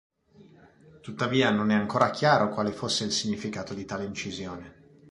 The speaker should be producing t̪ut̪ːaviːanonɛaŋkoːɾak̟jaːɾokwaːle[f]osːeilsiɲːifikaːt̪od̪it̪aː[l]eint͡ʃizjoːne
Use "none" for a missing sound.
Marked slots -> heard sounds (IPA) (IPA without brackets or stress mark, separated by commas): f, l